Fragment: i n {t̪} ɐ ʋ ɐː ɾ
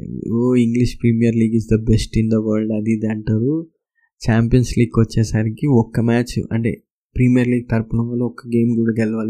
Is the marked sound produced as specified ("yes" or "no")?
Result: no